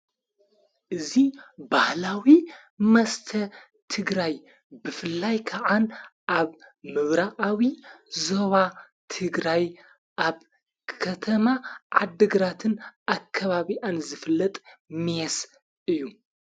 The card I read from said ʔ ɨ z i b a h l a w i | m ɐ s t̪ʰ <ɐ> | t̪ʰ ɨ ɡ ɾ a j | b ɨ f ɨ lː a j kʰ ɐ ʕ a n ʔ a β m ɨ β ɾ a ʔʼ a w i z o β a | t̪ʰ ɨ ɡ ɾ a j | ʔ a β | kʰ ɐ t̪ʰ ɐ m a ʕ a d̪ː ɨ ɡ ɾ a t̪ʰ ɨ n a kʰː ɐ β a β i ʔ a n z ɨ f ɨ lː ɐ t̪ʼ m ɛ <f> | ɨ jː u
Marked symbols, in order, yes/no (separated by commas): yes, no